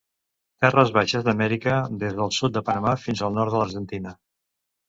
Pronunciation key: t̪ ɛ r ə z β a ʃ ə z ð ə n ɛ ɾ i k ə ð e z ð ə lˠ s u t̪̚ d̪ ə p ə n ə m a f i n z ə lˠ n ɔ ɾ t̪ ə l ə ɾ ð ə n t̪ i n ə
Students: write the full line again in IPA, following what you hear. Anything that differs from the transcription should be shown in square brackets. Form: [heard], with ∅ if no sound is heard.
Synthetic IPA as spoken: t̪ ɛ r ə z β a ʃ ə z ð ə [m] ɛ ɾ i k ə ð e z ð ə lˠ s u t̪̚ d̪ ə p ə n ə m a f i n z ə lˠ n ɔ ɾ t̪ ə l ə ɾ [ʒ] ə n t̪ i n ə